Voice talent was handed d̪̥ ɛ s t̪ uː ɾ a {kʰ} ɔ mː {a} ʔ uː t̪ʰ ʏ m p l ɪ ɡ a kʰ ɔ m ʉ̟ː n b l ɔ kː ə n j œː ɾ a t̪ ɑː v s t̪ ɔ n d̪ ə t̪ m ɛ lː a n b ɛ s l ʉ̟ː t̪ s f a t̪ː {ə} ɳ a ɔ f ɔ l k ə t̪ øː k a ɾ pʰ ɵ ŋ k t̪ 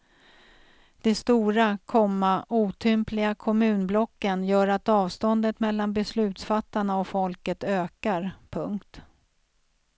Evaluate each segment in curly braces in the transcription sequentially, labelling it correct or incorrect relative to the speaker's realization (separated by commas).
correct, correct, incorrect